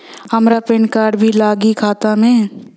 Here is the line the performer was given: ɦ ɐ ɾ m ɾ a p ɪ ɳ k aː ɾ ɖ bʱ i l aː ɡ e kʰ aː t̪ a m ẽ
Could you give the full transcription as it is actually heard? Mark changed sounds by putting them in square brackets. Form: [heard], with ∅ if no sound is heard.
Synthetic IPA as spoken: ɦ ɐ [∅] m ɾ a p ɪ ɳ k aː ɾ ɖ bʱ i l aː ɡ [i] kʰ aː t̪ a m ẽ

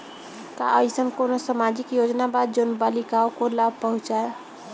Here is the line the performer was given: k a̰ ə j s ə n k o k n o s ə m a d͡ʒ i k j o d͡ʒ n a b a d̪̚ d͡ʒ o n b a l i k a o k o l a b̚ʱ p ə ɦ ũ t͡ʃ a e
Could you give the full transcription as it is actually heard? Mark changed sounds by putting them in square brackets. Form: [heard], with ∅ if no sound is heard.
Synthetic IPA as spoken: k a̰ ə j s ə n k o [∅] n o s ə m a d͡ʒ i k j o d͡ʒ n a b a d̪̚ d͡ʒ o n b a l i k a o k o l a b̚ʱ p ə ɦ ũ t͡ʃ a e

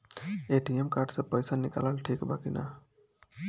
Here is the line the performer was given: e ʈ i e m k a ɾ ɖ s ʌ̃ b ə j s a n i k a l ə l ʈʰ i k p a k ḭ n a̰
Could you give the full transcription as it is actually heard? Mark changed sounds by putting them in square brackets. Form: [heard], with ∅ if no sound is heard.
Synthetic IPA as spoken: e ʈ i e m k a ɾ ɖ s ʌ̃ [p] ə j s a n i k a l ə l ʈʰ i k [b] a k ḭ n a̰

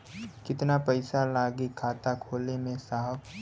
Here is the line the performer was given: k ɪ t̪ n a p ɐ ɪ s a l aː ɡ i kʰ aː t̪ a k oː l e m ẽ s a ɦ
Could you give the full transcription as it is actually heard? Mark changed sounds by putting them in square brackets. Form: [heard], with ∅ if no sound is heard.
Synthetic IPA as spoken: k ɪ t̪ n a p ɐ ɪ s a l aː ɡ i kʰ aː t̪ a [kʰ] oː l e m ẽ s a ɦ

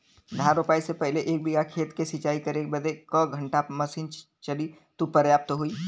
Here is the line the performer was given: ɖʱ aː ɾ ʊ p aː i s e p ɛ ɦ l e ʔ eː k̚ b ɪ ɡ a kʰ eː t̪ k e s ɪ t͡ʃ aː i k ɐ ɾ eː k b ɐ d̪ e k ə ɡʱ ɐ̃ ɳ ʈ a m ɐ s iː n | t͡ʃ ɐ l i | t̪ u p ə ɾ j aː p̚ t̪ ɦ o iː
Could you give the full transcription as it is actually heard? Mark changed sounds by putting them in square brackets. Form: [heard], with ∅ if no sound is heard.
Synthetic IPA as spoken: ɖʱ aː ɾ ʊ p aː i s e p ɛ ɦ l e ʔ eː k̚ b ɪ ɡ a kʰ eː t̪ k e s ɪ t͡ʃ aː i k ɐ ɾ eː k b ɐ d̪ e k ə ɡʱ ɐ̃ ɳ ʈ a m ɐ s iː n | t͡ʃ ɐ l i | t̪ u p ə ɾ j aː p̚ t̪ ɦ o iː

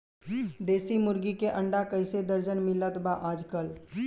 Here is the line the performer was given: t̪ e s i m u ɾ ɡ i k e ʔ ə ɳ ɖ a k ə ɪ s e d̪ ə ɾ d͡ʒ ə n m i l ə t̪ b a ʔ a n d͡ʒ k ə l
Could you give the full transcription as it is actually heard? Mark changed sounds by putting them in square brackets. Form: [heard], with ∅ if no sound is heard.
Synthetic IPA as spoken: [d̪] e s i m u ɾ ɡ i k e ʔ ə ɳ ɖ a k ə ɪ s e d̪ ə ɾ d͡ʒ ə n m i l ə t̪ b a ʔ a [∅] d͡ʒ k ə l

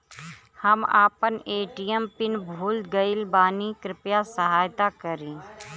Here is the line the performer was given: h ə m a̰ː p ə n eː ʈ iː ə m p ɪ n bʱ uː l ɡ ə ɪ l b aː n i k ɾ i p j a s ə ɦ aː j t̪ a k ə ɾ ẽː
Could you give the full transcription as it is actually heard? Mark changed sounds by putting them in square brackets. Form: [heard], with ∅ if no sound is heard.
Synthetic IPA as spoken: h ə m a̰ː p ə n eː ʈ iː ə m p ɪ n bʱ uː l ɡ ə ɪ l b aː n i k ɾ [ɪ] p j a s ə ɦ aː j t̪ a k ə ɾ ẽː

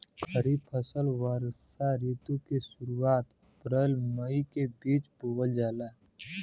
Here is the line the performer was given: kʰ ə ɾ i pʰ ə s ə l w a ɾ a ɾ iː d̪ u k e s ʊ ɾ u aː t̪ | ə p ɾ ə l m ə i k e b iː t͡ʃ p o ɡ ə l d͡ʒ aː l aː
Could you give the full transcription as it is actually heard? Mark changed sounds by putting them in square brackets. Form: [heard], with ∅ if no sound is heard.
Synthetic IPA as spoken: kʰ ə ɾ i pʰ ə s ə l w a ɾ a ɾ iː [t̪] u k e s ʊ ɾ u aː t̪ | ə p ɾ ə l m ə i k e b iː t͡ʃ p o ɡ ə l d͡ʒ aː l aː

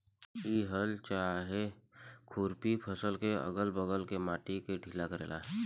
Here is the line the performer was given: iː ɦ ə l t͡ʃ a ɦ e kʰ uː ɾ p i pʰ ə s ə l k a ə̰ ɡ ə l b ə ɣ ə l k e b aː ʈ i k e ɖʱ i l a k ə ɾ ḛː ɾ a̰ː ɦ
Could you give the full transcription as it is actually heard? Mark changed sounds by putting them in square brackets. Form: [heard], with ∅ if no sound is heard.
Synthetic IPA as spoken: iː ɦ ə l t͡ʃ a ɦ e kʰ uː ɾ p i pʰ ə s ə l k [e] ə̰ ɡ ə l b ə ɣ ə l k e [m] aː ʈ i k e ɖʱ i l a k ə ɾ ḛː [l] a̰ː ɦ

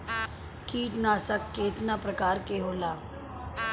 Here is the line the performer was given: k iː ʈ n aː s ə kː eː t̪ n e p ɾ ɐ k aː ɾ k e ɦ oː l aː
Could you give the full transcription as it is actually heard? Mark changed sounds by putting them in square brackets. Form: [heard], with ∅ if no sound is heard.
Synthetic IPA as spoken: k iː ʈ n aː s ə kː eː t̪ n [a] p ɾ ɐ k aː ɾ k e ɦ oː l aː

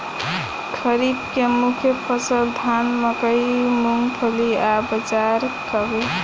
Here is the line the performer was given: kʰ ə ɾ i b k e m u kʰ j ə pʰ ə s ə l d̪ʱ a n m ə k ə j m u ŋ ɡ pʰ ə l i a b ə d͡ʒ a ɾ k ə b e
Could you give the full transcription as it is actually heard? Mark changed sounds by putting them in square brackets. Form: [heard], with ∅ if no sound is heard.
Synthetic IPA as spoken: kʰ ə ɾ i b k e m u kʰ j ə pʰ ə s ə l d̪ʱ a n m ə k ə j m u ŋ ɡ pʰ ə l i a b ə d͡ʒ a ɾ k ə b e

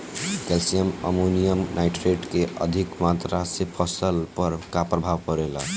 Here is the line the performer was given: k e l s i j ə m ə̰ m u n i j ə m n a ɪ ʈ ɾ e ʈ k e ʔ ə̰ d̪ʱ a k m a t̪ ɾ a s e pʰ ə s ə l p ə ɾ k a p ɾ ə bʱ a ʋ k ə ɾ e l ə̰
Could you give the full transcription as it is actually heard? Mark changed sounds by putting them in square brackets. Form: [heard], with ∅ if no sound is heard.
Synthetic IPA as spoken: k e l s i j ə m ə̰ m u n i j ə m n a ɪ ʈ ɾ e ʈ k e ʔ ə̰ d̪ʱ [i] k m a t̪ ɾ a s e pʰ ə s ə l p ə ɾ k a p ɾ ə bʱ a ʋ k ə ɾ e l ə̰

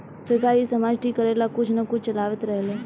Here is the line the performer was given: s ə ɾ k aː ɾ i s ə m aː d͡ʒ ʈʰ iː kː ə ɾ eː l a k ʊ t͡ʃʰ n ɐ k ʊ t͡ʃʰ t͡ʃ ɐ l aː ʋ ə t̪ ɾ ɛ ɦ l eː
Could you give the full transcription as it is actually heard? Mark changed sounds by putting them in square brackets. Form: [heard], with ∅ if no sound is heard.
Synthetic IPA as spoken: s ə ɾ k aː ɾ i s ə m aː d͡ʒ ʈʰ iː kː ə ɾ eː l a k ʊ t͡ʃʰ n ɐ k ʊ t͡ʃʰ t͡ʃ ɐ l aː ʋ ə t̪ ɾ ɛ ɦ l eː

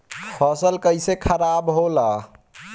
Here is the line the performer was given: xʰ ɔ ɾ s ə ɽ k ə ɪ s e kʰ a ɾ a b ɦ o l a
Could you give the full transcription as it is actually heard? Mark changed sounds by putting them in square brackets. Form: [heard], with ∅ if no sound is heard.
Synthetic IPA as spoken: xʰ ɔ [∅] s ə [l] k ə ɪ s e kʰ [ə] ɾ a b ɦ o l a

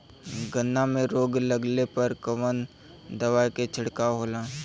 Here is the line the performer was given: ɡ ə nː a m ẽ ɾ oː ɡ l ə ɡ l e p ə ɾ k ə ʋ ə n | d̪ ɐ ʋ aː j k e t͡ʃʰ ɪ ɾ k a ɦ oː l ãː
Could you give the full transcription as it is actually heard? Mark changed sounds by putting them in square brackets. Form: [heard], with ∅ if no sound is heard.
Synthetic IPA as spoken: ɡ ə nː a m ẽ ɾ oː ɡ l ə ɡ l e p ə ɾ k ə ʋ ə n | d̪ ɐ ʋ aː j k e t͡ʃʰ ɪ [ɽ] k a ɦ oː l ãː

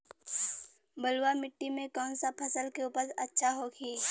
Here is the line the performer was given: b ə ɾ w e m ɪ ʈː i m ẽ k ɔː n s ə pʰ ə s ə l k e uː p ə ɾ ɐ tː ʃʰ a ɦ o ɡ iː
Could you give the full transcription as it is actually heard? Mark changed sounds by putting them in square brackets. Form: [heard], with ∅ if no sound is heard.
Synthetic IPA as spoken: b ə [l] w [a] m ɪ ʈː i m ẽ k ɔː n s [a] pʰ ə s ə l k e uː p ə ɾ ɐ tː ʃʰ a ɦ o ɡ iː

